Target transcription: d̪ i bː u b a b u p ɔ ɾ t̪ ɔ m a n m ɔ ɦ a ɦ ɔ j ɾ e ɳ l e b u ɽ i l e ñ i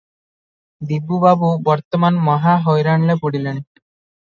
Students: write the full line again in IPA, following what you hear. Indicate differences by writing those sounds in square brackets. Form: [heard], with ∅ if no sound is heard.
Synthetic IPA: d̪ i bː u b a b u [b] ɔ ɾ t̪ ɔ m a n m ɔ ɦ a ɦ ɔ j ɾ [a] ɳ l e [p] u ɽ i l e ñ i